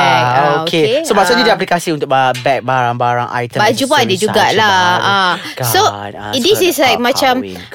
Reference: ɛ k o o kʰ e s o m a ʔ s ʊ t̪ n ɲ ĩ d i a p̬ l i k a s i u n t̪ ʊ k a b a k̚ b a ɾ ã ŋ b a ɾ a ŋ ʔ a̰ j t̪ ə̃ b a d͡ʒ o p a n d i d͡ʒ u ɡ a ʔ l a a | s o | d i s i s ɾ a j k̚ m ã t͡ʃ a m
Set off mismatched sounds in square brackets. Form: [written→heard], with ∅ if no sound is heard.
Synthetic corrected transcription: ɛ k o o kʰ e s o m a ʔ s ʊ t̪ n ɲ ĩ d i a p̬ l i k a s i u n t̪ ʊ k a b [a→ɛ] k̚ b a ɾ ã ŋ b a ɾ a ŋ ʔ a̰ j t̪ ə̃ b a d͡ʒ [o→u] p a n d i d͡ʒ u ɡ a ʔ l a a | s o | d i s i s [ɾ→l] a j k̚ m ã t͡ʃ a m